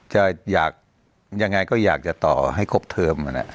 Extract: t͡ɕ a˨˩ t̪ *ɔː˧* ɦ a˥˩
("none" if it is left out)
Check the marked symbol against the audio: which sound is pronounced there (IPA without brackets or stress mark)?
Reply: ɔː˨˩